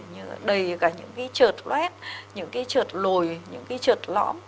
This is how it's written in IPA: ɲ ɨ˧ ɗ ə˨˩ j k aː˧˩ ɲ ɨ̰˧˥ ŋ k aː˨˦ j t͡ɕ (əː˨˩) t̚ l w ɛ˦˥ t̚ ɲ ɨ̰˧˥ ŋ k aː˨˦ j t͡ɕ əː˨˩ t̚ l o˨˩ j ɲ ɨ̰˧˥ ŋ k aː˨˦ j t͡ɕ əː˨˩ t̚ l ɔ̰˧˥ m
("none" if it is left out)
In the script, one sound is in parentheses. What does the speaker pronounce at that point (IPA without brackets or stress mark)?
əː˨˩